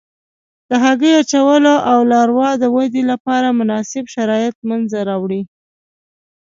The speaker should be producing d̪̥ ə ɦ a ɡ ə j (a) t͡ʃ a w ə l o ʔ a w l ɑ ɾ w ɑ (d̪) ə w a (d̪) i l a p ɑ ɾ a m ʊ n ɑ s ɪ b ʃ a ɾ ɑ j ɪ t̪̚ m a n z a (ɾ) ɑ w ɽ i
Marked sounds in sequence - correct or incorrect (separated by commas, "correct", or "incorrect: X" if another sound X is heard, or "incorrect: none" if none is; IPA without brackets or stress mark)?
correct, correct, correct, correct